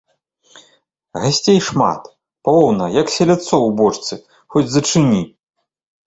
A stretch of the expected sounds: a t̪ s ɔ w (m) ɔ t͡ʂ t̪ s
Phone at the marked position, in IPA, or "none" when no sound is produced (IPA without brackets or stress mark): b